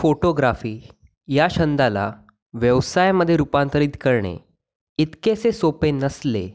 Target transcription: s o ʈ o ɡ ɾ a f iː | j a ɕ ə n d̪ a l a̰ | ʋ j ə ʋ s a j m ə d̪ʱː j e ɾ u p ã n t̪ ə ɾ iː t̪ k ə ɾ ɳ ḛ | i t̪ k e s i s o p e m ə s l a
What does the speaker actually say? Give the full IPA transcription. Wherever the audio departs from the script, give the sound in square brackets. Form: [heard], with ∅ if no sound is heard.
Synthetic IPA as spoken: [f] o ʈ o ɡ ɾ a f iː | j a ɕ ə n d̪ a l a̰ | ʋ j ə ʋ s a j m ə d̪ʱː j e ɾ u p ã n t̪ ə ɾ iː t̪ k ə ɾ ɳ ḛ | i t̪ k e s [e] s o p e [n] ə s l [e]